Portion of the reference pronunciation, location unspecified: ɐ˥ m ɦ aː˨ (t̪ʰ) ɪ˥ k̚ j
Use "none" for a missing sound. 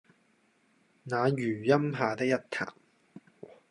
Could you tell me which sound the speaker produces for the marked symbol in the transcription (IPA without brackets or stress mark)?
t̪